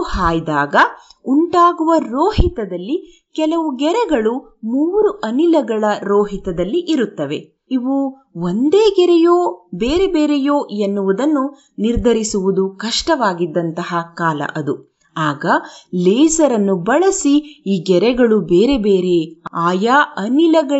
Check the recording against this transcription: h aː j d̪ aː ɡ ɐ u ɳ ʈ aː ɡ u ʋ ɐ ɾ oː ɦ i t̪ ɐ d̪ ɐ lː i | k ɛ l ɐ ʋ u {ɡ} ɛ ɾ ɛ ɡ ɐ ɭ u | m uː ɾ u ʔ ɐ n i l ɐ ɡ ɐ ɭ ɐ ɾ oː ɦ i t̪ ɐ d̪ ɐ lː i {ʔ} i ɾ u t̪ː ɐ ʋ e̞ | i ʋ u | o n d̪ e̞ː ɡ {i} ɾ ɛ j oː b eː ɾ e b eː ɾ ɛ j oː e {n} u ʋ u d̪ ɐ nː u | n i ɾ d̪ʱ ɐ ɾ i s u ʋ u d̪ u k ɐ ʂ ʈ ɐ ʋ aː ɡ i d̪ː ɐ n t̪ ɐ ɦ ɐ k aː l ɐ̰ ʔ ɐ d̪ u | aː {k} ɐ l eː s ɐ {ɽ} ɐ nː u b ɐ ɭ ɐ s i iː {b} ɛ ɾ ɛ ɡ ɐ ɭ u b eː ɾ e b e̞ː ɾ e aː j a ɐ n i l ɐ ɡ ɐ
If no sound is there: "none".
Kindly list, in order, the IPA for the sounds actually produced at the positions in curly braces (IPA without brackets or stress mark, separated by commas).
ɡ, ʔ, ɛ, nː, ɡ, ɾ, ɡ